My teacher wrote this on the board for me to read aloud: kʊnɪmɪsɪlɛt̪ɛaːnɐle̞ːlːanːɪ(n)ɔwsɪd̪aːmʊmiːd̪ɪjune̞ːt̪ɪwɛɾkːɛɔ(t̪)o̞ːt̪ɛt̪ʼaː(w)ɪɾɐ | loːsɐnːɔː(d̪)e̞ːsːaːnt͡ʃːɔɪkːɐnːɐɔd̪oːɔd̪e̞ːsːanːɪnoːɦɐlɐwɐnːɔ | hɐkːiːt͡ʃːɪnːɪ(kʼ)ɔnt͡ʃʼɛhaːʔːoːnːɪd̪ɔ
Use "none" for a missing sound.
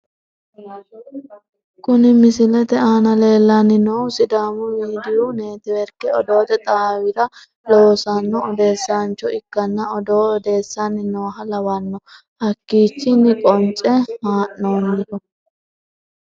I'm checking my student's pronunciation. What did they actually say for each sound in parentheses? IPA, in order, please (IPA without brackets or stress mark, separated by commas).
n, d̪, w, d̪, kʼ